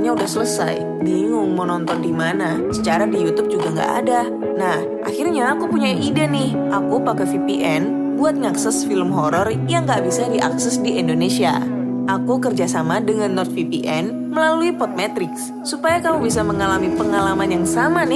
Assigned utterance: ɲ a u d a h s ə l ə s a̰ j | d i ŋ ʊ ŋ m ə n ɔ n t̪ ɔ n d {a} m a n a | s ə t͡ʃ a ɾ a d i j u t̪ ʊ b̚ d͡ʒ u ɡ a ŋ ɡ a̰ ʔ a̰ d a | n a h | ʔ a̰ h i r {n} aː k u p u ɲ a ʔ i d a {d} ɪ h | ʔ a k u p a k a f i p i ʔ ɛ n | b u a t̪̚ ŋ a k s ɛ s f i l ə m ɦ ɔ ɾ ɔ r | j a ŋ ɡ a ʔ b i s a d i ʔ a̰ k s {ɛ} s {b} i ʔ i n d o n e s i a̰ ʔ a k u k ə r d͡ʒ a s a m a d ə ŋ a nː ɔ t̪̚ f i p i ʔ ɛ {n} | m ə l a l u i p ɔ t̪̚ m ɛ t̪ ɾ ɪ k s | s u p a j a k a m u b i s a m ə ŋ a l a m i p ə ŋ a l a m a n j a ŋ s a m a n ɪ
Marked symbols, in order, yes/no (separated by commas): no, no, no, yes, no, yes